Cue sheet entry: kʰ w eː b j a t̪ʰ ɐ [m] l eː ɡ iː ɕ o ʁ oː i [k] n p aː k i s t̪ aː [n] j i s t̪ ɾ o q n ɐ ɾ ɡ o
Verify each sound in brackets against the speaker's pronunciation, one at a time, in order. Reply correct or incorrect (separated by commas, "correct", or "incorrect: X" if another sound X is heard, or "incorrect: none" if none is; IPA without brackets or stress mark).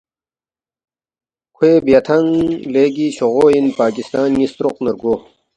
incorrect: ŋ, incorrect: none, correct